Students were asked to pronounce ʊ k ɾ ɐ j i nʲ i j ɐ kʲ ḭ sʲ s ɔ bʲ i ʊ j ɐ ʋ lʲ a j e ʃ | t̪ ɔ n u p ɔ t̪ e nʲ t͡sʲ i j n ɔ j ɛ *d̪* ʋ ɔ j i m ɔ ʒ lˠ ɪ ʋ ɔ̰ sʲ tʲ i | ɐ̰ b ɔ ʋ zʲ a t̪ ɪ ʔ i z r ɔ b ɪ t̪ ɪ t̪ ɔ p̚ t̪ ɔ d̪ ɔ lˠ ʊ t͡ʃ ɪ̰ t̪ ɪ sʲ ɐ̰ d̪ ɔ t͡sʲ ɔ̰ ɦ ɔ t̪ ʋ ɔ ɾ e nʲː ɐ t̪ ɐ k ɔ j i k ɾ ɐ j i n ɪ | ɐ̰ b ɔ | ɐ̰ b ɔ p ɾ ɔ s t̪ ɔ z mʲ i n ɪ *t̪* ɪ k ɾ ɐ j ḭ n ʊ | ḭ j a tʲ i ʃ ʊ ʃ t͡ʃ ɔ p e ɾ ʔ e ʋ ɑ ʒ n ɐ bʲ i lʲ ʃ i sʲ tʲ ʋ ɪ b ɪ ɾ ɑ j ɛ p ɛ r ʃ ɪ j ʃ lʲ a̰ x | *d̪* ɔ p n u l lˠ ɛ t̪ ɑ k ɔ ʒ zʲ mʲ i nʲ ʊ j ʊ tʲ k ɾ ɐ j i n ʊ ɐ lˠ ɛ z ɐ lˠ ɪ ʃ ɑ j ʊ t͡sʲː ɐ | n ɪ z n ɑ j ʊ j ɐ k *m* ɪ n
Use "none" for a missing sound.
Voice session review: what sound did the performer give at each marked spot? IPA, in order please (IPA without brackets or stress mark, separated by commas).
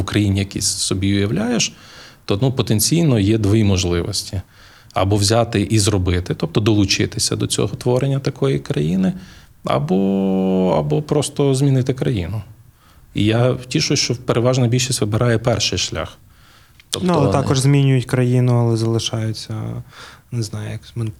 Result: d̪, t̪, t̪, m